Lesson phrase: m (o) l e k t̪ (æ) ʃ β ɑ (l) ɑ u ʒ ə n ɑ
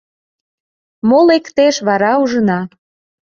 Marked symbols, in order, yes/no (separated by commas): yes, no, no